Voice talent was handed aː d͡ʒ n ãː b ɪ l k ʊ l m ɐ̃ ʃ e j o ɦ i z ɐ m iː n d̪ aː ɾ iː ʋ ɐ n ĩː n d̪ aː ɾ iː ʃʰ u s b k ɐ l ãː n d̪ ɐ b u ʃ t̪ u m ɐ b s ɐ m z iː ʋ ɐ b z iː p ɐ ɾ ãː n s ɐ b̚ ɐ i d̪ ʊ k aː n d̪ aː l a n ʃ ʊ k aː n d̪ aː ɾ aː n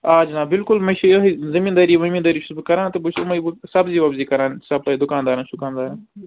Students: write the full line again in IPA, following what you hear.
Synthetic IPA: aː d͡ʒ n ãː b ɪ l k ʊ l m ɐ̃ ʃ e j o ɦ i z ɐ m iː n d̪ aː ɾ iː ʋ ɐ m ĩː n d̪ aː ɾ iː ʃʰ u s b k ɐ ɾ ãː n t̪ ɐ b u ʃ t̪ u m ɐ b s ɐ b z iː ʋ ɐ b z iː k ɐ ɾ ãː n s ɐ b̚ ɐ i d̪ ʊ k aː n d̪ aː ɾ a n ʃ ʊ k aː n d̪ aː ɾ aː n